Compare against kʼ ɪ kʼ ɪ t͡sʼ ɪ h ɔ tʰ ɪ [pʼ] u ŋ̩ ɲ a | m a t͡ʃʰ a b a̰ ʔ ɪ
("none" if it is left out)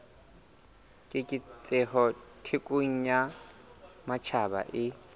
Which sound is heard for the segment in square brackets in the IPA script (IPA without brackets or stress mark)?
kʼ